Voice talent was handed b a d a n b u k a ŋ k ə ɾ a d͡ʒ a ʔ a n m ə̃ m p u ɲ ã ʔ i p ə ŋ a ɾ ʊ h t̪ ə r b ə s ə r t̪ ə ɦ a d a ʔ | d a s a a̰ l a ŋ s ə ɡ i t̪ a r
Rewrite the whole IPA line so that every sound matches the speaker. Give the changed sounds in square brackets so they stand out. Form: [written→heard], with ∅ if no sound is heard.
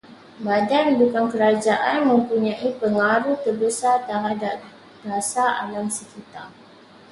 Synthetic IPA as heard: b a d a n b u k a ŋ k ə ɾ a d͡ʒ a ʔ a n m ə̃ m p u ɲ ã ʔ i p ə ŋ a ɾ [ʊ→u] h t̪ ə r b ə s [ə→a] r t̪ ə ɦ a d a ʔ | d a s a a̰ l a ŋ s ə [ɡ→k] i t̪ a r